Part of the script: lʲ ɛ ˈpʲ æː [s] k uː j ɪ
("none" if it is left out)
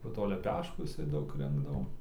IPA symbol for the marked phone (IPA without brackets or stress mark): ʃ